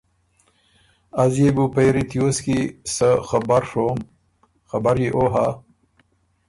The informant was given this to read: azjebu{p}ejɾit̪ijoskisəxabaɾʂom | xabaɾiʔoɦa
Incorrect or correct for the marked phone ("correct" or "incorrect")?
correct